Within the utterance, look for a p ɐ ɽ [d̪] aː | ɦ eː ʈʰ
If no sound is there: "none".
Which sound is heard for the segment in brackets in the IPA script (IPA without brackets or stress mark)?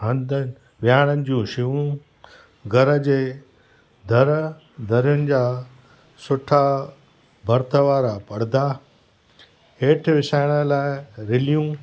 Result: d̪